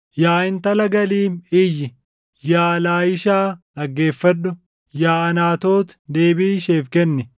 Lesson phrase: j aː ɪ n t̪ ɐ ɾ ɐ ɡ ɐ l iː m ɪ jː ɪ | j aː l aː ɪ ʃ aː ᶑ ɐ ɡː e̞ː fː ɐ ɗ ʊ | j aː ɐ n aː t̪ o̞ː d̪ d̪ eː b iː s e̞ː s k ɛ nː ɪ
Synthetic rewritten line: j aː ɪ n t̪ ɐ l ɐ ɡ ɐ l iː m ɪ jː ɪ | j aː l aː ɪ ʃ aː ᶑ ɐ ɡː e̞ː fː ɐ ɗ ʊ | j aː ɐ n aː t̪ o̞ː t̪ d̪ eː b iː ʃ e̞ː f k ɛ nː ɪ